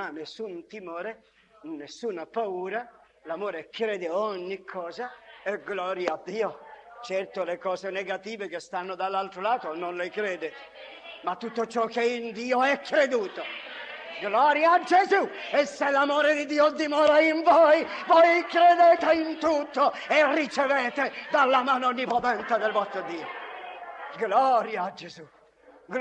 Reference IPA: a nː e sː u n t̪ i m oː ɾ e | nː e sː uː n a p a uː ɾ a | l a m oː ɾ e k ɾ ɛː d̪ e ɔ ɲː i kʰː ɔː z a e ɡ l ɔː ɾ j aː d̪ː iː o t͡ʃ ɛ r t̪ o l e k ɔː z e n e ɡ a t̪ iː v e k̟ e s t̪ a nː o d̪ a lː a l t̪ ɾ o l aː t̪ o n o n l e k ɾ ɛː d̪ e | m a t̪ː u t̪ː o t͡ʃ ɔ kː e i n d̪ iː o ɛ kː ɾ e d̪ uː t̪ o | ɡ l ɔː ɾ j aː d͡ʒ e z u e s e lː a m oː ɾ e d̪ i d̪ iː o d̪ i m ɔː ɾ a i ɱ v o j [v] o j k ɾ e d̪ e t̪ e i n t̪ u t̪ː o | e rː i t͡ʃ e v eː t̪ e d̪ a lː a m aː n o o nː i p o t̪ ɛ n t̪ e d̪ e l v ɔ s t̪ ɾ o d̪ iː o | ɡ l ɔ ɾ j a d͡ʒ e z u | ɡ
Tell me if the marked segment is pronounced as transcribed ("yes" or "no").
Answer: yes